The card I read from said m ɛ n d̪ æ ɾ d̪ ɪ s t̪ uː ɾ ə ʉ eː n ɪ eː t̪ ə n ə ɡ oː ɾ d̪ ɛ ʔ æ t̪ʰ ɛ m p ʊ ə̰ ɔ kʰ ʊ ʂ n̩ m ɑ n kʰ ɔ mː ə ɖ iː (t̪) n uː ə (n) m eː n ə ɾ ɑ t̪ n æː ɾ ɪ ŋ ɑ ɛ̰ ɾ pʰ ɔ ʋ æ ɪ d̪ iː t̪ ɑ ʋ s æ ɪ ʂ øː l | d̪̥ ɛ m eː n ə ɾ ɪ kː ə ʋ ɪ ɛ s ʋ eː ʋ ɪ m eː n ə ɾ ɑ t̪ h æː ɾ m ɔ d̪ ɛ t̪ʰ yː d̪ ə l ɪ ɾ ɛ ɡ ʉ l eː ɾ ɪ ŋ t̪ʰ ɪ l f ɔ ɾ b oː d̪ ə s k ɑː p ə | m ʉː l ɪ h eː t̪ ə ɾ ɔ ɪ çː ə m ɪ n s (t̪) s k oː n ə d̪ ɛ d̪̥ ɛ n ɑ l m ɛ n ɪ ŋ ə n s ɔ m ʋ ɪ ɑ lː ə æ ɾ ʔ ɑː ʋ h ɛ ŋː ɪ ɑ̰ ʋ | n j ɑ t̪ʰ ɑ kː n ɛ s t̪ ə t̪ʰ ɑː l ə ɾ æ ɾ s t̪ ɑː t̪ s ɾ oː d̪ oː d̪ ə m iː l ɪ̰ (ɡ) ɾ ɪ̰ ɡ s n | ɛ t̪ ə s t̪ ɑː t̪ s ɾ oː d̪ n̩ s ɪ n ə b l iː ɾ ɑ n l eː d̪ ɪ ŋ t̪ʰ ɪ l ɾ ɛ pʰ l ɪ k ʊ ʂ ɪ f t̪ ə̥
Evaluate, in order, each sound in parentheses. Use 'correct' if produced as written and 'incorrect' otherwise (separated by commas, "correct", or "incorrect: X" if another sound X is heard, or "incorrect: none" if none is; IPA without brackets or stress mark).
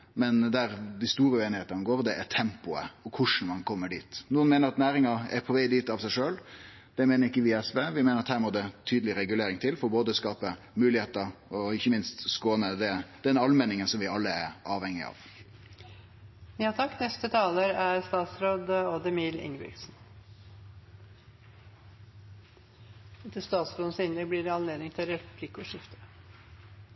correct, correct, correct, incorrect: ŋ